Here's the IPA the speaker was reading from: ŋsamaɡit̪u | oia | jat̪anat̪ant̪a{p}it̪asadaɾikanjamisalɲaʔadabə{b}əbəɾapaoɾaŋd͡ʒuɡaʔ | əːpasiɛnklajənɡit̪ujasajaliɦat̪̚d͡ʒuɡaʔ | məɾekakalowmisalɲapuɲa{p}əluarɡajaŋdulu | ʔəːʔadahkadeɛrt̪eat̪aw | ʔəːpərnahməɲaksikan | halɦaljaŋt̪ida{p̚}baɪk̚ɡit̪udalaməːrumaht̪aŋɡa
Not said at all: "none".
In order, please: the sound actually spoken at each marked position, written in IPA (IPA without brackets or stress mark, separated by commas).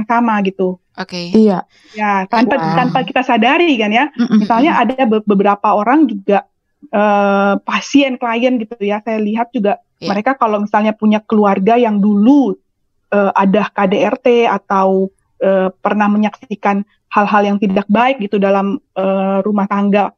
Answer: k, b, k, k̚